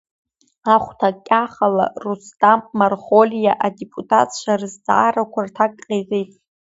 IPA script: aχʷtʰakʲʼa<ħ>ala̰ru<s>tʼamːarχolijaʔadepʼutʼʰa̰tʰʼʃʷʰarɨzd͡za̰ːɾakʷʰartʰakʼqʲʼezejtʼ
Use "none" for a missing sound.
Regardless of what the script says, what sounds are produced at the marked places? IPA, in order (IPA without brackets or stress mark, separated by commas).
χ, s